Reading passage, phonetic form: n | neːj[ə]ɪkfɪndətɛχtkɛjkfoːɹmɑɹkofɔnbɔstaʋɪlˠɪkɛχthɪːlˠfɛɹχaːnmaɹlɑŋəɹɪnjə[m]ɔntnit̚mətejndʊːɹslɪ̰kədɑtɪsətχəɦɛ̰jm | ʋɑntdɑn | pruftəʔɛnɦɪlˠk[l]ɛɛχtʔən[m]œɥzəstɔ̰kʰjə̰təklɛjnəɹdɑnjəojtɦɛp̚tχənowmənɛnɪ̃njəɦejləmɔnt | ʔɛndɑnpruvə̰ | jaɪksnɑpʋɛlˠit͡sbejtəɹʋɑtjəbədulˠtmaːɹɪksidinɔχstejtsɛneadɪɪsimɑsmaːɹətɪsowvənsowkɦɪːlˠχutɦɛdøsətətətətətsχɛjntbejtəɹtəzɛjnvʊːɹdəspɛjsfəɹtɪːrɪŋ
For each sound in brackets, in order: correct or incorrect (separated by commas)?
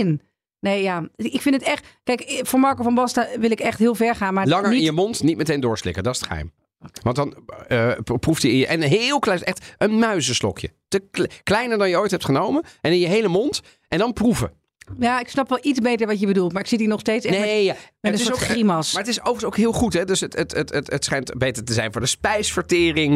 incorrect, correct, correct, correct